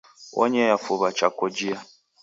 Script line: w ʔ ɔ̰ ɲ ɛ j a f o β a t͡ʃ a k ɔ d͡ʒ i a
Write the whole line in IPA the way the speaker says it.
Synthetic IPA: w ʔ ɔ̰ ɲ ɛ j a f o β a t͡ʃ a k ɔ d͡ʒ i a